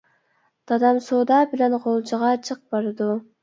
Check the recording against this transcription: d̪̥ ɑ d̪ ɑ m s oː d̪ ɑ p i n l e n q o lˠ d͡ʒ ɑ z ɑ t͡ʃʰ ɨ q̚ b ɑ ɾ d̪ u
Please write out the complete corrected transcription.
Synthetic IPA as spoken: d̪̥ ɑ d̪ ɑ m s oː d̪ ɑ b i l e n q o lˠ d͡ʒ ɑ ʁ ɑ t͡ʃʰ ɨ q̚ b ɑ ɾ d̪ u